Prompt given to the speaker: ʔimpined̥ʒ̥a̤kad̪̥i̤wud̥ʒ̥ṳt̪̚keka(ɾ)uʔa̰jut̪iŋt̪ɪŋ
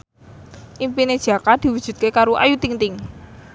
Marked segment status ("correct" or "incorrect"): correct